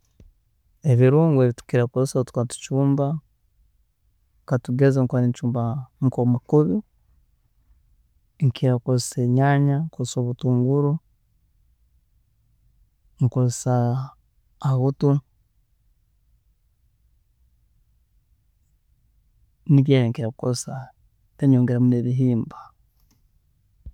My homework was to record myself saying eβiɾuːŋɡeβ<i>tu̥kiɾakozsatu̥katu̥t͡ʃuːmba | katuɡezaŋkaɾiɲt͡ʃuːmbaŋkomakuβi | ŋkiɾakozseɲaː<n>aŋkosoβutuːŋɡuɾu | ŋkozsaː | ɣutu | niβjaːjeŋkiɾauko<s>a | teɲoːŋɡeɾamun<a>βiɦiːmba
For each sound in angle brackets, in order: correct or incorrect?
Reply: correct, incorrect: ɲ, correct, incorrect: e

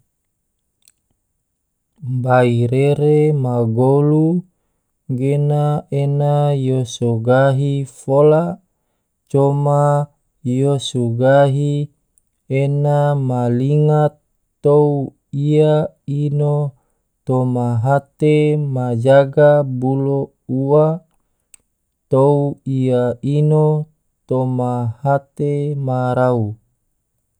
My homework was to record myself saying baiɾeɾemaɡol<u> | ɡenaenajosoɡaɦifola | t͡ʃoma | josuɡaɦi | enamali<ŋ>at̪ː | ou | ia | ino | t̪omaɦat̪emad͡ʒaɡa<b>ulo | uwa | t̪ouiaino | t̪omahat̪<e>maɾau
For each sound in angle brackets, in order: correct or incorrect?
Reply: correct, correct, correct, correct

